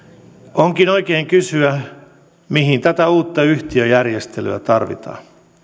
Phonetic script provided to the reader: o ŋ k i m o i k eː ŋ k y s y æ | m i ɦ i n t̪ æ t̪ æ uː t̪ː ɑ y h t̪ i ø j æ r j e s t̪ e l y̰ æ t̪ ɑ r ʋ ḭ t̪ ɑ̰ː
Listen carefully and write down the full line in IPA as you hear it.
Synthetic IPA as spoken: o ŋ k i n o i k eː ŋ k y s y æ | m i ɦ i n t̪ æ t̪ æ uː t̪ː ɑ y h t̪ i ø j æ r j e s t̪ e l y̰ æ t̪ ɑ r ʋ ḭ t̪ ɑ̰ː

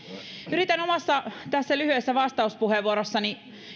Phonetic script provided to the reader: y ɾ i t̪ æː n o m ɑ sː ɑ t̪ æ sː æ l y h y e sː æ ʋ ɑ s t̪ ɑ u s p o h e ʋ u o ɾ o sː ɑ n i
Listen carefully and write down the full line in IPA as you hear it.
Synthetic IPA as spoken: y ɾ i t̪ æ n o m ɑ sː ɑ t̪ æ sː æ l y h y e sː æ ʋ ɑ s t̪ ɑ u s p u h e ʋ u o ɾ o sː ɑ n i

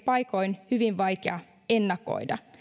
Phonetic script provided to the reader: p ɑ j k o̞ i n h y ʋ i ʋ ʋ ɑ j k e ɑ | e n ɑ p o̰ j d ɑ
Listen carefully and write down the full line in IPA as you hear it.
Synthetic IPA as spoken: p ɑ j k o̞ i n h y ʋ i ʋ ʋ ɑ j k e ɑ | e nː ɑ k o̰ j d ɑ

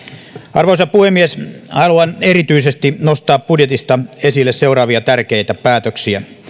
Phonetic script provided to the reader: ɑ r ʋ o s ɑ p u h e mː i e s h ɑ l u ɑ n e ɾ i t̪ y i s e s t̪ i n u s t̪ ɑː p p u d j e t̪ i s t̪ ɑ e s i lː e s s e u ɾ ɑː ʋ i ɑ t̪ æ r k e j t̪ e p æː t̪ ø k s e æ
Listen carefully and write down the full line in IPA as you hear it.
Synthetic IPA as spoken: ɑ r ʋ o s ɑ p u h e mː i e s h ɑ l u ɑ n e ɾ i t̪ y i s e s t̪ i n o s t̪ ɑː p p u d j e t̪ i s t̪ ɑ e s i lː e s s e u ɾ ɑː ʋ i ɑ t̪ æ r k e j t̪ æ p æː t̪ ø k s i æ

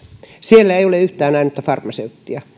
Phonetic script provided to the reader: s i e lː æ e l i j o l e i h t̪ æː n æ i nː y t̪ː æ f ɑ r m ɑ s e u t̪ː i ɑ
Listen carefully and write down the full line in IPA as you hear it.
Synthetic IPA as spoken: s i e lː æ e i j o l e y h t̪ æː n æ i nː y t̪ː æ f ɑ r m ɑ s e u t̪ː i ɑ

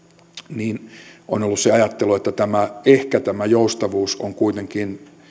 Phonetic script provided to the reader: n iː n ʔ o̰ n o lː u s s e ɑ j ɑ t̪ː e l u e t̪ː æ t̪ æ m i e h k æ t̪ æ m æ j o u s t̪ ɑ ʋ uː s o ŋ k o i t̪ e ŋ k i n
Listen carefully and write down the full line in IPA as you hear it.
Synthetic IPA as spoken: n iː n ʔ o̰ n o lː u s s e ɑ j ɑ t̪ː e l u e t̪ː æ t̪ æ m æ e h k æ t̪ æ m æ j o u s t̪ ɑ ʋ uː s o ŋ k u i t̪ e ŋ k i n

